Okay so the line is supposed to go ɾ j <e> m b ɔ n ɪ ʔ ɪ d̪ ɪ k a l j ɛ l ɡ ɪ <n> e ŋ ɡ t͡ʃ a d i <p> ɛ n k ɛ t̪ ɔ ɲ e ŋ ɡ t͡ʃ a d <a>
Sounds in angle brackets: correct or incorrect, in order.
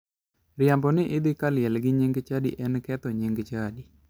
incorrect: a, incorrect: ɲ, incorrect: ʔ, incorrect: i

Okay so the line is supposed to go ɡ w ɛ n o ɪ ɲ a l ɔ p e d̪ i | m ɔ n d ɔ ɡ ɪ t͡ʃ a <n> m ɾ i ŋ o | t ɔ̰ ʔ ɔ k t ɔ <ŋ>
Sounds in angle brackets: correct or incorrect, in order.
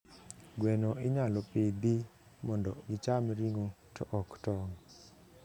incorrect: none, correct

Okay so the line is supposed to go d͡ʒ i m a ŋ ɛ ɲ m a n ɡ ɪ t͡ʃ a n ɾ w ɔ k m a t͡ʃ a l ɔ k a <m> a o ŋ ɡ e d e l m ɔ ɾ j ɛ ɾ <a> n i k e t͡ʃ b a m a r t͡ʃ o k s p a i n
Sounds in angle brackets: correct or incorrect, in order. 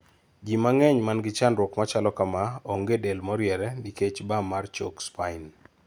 correct, incorrect: ɛ

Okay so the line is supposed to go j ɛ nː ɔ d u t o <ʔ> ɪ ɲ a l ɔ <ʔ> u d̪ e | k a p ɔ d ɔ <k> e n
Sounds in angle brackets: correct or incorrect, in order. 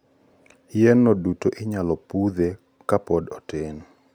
correct, incorrect: p, incorrect: t

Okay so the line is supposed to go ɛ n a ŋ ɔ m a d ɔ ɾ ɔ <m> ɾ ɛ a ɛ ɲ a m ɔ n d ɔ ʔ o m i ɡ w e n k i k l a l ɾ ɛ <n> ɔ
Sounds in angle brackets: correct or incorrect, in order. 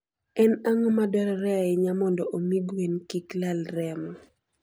incorrect: none, incorrect: m

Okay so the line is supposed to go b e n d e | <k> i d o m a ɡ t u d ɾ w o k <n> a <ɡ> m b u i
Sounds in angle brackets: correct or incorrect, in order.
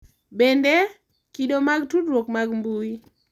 correct, incorrect: m, correct

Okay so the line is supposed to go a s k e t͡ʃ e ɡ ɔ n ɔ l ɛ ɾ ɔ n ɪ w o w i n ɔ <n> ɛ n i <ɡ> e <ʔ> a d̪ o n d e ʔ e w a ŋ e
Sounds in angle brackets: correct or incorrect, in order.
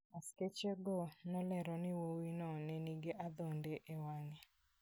correct, correct, correct

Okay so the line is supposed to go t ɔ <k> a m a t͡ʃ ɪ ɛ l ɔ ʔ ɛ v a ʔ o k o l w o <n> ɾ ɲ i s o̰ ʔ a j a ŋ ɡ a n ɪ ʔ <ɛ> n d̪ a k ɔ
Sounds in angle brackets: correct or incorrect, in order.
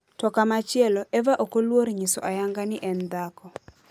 correct, incorrect: none, correct

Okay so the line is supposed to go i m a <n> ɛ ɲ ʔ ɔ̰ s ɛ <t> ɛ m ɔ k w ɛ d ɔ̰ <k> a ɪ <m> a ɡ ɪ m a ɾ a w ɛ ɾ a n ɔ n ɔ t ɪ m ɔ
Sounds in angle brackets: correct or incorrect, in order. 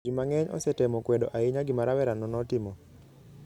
incorrect: ŋ, correct, incorrect: ʔ, incorrect: ɲ

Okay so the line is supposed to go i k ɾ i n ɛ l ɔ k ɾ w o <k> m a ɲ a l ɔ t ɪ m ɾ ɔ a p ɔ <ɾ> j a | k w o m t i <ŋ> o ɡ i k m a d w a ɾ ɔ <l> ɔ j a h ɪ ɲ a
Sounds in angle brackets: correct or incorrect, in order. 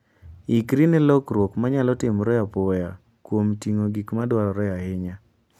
correct, incorrect: none, correct, incorrect: ɾ

